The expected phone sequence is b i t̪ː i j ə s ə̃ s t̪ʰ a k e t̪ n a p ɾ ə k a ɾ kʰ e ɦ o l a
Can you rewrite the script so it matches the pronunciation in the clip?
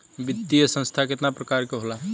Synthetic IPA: b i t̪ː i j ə s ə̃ s t̪ʰ a k e t̪ n a p ɾ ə k a ɾ k e ɦ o l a